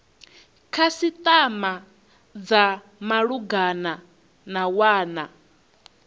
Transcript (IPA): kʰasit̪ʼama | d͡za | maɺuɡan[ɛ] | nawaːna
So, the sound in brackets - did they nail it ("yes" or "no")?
no